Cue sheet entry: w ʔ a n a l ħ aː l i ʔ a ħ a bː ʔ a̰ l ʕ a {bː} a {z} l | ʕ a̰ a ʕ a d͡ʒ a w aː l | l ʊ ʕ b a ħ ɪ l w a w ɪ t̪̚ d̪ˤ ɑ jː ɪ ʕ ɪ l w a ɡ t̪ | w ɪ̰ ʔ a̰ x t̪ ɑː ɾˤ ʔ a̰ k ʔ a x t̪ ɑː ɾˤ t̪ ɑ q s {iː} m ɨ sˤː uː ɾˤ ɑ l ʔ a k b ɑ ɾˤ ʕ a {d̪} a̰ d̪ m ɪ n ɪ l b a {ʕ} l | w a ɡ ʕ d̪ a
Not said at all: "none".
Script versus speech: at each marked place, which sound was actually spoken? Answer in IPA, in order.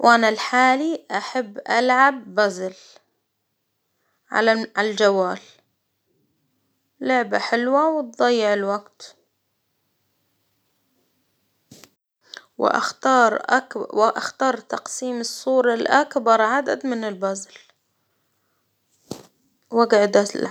bː, z, iː, d̪, z

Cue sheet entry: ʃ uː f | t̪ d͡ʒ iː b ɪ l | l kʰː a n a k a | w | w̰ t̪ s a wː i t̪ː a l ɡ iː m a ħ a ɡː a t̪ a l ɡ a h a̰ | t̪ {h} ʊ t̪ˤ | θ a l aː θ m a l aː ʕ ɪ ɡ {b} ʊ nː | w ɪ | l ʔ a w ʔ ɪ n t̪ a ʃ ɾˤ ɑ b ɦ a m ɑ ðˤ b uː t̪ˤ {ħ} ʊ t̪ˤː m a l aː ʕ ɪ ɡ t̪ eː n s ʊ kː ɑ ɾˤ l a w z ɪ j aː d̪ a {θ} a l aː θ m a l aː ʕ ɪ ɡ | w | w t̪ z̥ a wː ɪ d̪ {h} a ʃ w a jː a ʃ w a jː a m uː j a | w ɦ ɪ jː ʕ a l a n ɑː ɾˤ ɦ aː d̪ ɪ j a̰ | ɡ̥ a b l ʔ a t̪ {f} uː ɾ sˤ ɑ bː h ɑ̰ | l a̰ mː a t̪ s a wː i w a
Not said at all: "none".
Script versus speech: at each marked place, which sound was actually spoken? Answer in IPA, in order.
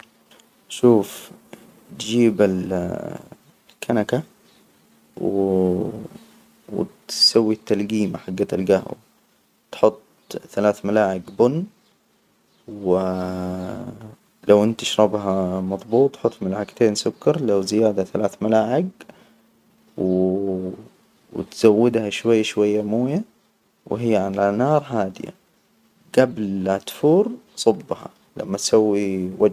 ħ, b, ħ, θ, h, f

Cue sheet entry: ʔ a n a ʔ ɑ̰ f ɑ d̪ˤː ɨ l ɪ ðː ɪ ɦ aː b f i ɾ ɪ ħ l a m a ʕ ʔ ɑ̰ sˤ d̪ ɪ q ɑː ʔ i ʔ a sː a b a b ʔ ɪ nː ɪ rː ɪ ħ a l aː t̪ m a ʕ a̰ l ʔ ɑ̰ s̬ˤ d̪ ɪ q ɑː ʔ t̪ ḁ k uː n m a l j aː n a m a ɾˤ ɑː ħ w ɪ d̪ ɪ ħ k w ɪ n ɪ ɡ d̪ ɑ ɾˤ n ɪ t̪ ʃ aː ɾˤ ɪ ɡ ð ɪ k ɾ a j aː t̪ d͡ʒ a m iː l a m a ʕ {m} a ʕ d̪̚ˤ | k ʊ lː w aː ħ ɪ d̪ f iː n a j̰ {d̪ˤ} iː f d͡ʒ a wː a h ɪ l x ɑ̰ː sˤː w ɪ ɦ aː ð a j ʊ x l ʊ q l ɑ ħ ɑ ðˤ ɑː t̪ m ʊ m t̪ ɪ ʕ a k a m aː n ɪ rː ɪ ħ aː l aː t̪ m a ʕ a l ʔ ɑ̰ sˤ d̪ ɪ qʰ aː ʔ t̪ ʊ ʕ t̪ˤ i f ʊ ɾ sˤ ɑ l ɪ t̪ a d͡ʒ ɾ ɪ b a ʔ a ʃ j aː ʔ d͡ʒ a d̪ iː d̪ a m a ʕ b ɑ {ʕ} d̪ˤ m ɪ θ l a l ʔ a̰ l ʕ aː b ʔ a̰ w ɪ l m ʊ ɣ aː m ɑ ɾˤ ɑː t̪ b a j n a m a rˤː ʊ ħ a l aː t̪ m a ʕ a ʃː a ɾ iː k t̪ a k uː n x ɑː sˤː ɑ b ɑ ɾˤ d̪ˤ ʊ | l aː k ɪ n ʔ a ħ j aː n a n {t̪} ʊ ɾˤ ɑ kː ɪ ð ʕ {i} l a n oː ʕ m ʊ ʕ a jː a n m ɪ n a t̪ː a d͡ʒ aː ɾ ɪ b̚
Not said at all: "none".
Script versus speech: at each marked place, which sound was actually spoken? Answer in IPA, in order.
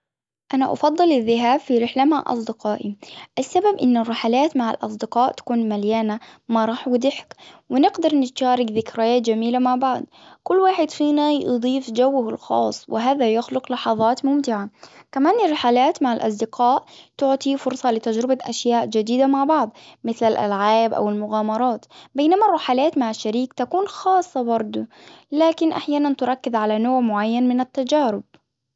b, d̪ˤ, ʕ, t̪, a

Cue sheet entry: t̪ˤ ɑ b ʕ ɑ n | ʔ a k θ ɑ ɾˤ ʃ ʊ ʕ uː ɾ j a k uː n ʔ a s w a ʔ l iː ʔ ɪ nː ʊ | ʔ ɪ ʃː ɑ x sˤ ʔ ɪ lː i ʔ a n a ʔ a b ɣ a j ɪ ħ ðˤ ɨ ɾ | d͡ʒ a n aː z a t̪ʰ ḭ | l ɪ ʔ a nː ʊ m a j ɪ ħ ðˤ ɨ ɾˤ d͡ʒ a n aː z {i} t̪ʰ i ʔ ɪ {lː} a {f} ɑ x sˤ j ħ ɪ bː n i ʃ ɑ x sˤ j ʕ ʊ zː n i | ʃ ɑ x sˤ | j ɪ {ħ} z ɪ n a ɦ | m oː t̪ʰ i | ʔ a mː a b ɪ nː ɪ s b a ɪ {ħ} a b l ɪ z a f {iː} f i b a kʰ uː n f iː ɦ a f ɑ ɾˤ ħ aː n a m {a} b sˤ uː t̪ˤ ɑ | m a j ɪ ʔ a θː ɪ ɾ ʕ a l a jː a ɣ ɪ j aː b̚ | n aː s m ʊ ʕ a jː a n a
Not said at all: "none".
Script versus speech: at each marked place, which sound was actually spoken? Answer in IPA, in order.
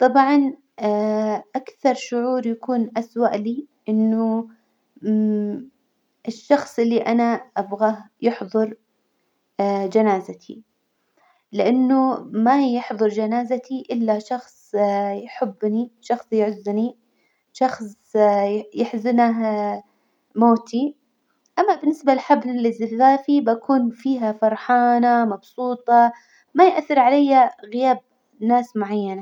a, lː, ʃ, ħ, ħ, aː, ɑ

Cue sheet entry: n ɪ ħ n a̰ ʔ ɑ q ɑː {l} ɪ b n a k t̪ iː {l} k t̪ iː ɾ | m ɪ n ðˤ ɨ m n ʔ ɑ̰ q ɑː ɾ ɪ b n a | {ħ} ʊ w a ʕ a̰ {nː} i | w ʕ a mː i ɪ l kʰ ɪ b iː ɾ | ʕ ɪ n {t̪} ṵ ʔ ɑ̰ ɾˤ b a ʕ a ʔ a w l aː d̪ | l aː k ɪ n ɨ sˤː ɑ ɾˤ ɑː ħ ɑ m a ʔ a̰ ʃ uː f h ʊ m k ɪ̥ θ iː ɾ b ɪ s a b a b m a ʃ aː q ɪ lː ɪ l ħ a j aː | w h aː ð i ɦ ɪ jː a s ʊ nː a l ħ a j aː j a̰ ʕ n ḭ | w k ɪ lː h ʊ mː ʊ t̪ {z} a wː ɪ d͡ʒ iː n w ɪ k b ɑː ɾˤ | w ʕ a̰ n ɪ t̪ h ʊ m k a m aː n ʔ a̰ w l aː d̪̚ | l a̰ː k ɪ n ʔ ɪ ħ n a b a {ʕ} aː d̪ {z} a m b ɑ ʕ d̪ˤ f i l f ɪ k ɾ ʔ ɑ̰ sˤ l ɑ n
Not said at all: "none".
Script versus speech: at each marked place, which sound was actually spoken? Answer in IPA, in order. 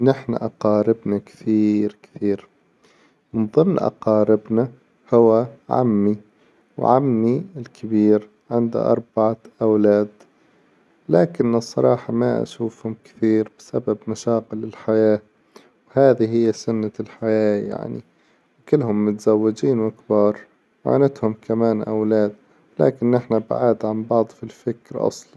ɾ, ɾ, h, mː, d̪, z, ʕ, ʕ

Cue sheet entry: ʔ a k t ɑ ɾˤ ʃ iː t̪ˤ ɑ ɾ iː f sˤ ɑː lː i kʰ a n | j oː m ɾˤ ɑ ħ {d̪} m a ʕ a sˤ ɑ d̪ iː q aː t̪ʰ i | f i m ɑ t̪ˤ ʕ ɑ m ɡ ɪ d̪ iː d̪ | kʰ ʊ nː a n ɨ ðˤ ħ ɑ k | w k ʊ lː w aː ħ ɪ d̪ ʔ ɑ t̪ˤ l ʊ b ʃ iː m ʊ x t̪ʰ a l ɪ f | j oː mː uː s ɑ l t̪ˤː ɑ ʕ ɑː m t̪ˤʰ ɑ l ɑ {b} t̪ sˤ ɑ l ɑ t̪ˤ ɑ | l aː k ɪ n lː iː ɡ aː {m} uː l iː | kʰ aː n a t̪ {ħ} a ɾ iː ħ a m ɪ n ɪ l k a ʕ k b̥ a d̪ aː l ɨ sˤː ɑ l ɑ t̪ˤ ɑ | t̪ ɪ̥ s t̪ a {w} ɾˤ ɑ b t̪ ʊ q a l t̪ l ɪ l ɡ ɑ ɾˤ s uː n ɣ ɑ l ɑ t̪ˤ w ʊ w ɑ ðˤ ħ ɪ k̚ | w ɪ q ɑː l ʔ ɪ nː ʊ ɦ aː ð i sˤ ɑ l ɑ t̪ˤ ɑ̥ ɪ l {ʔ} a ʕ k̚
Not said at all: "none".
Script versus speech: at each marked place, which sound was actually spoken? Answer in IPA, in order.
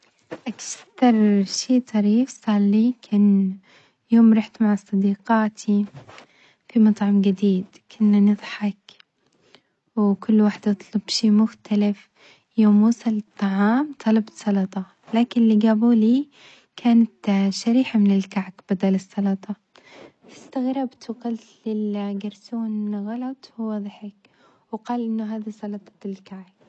t̪, b, b, ʃ, ɣ, k

